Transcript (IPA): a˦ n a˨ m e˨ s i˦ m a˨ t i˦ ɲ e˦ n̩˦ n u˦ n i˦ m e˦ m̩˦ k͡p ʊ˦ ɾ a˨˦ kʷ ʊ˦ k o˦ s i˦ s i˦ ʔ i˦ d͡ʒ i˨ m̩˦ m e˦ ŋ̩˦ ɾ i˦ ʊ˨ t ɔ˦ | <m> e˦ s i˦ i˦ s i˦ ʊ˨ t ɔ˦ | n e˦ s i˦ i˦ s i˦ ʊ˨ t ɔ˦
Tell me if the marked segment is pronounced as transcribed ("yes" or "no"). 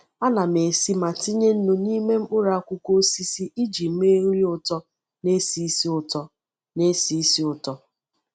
no